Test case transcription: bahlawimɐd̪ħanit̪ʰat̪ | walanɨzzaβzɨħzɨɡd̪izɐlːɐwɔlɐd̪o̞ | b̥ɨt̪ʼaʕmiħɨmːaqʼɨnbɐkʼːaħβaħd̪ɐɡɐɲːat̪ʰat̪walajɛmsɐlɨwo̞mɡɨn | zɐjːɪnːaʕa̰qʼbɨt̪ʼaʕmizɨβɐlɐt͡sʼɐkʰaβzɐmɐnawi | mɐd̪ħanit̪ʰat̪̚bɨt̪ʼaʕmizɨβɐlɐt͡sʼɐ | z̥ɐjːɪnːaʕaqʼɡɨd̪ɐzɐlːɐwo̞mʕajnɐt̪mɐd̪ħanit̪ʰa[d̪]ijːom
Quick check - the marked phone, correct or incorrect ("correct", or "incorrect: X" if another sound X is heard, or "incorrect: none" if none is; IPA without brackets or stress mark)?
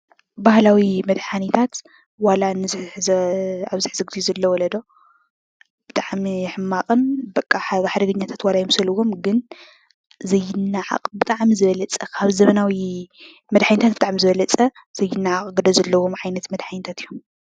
incorrect: t̪